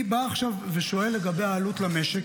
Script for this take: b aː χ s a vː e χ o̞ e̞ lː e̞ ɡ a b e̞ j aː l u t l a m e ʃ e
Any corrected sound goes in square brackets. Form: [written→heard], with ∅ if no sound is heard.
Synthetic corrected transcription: b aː χ [s→ʃ] a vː e [χ→ʃ] o̞ e̞ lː e̞ ɡ a b e̞ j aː l u t l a m e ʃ e